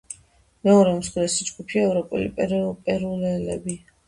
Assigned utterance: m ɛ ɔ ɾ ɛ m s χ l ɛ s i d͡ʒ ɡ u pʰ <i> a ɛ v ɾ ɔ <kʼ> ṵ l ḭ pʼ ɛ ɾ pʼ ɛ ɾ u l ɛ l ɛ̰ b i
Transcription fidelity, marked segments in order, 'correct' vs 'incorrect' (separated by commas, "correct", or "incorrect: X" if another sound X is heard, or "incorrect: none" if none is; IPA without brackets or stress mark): correct, incorrect: pʼ